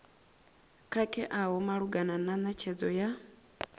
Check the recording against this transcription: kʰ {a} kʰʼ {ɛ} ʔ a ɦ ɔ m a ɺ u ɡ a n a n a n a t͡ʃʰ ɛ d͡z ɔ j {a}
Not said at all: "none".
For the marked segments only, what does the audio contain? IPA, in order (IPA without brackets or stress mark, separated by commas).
a, ɛ, a